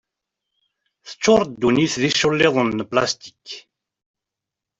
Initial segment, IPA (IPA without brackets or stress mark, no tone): θ